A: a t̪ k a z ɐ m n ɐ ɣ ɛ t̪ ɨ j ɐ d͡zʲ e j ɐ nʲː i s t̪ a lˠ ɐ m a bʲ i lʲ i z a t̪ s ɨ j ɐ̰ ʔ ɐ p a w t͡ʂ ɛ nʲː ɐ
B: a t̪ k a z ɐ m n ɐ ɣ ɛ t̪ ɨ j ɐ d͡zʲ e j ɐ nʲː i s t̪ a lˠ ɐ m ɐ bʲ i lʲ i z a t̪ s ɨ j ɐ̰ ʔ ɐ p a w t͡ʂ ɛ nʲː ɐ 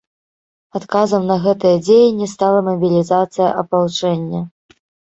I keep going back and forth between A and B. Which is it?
B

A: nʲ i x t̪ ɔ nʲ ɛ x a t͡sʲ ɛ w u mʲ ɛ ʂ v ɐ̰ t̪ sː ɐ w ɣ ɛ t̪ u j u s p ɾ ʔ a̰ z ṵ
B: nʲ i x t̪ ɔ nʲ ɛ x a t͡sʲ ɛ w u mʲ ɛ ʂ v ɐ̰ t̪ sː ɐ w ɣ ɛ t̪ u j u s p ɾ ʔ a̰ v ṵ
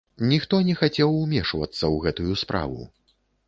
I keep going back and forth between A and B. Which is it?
B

